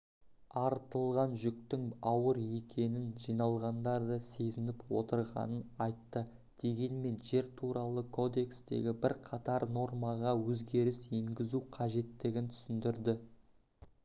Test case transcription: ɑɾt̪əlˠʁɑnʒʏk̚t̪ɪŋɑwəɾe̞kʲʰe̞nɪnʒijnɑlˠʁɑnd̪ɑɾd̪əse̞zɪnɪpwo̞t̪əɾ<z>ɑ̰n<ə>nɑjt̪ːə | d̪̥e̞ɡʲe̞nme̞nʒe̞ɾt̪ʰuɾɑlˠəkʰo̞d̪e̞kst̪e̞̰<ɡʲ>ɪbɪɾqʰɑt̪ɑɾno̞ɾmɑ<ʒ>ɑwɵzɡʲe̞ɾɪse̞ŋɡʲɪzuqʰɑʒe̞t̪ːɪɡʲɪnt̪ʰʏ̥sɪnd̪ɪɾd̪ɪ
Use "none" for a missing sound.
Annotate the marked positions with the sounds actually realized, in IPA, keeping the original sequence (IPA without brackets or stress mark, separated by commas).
ʁ, ə, ɡʲ, ʁ